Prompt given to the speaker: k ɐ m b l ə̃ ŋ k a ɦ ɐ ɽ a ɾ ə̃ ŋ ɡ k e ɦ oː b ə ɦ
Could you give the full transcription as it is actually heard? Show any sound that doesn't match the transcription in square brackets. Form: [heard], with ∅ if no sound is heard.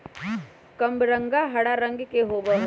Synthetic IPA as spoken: k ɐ m b [ɾ] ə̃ ŋ [ɡ] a ɦ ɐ ɽ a ɾ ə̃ ŋ ɡ k e ɦ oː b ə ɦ

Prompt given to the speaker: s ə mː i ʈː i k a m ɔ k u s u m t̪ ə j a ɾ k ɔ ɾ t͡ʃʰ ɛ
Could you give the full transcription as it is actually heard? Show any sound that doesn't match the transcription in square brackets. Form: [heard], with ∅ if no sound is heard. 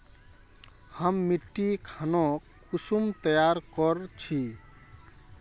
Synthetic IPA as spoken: [h] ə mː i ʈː i [kʰ] a [n] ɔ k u s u m t̪ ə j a ɾ k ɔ ɾ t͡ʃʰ [i]

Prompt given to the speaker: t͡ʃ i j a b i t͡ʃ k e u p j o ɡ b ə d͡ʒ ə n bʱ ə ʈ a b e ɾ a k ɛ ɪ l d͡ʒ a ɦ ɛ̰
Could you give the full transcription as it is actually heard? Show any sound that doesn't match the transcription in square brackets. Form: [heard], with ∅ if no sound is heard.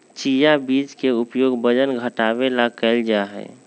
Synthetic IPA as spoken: t͡ʃ i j a b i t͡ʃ k e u p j o ɡ b ə d͡ʒ ə n [ɡʱ] ə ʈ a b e [l] a k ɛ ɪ l d͡ʒ a ɦ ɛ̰

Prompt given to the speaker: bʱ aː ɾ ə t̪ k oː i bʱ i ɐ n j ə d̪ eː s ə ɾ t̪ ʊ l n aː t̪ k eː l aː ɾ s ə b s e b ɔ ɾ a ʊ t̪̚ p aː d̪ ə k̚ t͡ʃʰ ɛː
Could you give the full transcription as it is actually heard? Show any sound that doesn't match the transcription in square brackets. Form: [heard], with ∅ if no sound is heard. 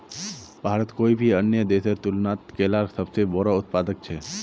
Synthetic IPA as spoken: bʱ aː ɾ ə t̪ k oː i bʱ i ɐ n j ə d̪ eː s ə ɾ t̪ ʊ l n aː t̪ k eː l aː ɾ s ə b s e b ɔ ɾ a ʊ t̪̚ p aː d̪ ə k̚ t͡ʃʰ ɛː

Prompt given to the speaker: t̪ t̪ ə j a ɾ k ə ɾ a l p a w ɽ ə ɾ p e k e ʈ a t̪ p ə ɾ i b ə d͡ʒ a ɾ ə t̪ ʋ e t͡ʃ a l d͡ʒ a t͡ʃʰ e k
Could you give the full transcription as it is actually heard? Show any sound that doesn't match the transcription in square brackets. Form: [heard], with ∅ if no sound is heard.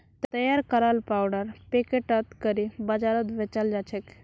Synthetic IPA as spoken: t̪ t̪ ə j a ɾ k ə ɾ a l p a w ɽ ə ɾ p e k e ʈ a t̪ [k] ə ɾ i b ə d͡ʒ a ɾ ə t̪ ʋ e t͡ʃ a l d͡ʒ a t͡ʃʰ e k

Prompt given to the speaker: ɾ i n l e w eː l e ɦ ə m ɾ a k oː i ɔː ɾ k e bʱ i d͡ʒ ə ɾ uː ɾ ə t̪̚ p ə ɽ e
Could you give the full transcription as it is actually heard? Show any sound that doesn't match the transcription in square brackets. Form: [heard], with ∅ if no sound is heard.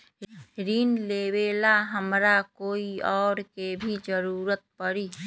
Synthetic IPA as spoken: ɾ i n l e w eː l [a] ɦ ə m ɾ a k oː i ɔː ɾ k e bʱ i d͡ʒ ə ɾ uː ɾ ə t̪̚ p ə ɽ [i]

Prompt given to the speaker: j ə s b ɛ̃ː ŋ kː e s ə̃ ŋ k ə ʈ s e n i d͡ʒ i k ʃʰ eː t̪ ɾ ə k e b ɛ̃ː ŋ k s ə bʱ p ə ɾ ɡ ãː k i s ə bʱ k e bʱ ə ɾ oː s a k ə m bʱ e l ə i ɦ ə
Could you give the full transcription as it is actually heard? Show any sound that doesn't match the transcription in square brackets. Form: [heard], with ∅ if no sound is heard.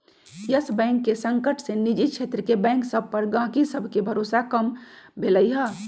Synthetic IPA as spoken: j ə s b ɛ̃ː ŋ kː e s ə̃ ŋ k ə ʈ s e n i d͡ʒ i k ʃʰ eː t̪ ɾ ə k e b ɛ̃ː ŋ k s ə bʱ p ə ɾ ɡ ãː k i s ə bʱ k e bʱ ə ɾ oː s a k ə m bʱ e l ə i ɦ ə

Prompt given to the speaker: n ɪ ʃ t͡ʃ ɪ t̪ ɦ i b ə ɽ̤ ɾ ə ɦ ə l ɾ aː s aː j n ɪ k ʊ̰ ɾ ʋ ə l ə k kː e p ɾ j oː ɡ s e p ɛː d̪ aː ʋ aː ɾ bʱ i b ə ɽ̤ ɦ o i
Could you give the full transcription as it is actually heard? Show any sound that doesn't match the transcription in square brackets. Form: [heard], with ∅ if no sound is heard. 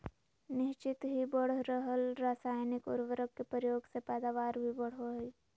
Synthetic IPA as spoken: n ɪ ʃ t͡ʃ ɪ t̪ ɦ i b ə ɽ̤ ɾ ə ɦ ə l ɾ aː s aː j n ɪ k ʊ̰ ɾ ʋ ə [ɾ] ə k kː e p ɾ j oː ɡ s e p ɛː d̪ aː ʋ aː ɾ bʱ i b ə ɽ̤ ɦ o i

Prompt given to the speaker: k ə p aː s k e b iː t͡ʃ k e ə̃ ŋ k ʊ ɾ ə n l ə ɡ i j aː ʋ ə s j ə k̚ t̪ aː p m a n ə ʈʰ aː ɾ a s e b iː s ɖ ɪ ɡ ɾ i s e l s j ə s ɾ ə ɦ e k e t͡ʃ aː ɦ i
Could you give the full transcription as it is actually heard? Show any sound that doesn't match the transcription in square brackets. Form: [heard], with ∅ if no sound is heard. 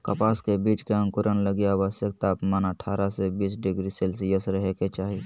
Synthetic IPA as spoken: k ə p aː s k e b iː t͡ʃ k e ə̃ ŋ k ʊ ɾ ə n l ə ɡ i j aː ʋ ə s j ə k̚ t̪ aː p m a n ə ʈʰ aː ɾ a s e b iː s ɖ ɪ ɡ ɾ i s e l s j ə s ɾ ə ɦ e k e t͡ʃ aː ɦ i

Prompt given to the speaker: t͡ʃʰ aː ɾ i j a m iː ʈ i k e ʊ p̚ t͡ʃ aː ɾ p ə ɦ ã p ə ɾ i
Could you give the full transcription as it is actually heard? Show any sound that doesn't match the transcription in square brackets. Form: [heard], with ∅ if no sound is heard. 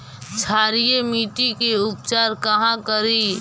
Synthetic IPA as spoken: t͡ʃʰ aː ɾ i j [e] m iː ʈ i k e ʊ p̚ t͡ʃ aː ɾ [k] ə ɦ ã [k] ə ɾ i

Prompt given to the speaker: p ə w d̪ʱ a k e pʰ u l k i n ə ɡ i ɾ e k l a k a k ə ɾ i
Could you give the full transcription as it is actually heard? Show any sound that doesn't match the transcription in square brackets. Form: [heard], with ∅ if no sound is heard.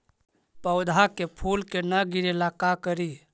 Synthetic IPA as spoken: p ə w d̪ʱ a k e pʰ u l k [e] n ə ɡ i ɾ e [∅] l a k a k ə ɾ i

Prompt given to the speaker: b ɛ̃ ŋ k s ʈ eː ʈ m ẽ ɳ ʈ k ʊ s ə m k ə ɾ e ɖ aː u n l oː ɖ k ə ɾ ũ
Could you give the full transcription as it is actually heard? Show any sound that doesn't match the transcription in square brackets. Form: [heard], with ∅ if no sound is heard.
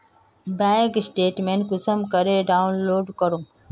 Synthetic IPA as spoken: b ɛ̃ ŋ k s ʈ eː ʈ m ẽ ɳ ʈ k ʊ s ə m k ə ɾ e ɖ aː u n l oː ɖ k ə ɾ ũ

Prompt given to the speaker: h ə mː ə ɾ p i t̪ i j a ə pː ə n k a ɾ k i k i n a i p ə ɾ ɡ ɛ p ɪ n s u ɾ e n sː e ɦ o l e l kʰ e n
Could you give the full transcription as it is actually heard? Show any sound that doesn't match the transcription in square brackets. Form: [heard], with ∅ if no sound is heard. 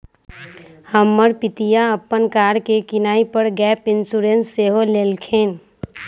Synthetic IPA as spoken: h ə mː ə ɾ p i t̪ i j a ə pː ə n k a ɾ k [e] k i n a i p ə ɾ ɡ ɛ p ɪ n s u ɾ e n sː e ɦ o l e l kʰ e n

